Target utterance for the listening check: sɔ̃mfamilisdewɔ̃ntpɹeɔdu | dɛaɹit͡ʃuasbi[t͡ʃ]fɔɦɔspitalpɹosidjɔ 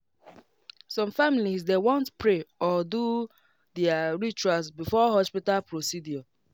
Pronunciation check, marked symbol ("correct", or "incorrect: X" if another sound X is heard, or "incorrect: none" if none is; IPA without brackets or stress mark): incorrect: none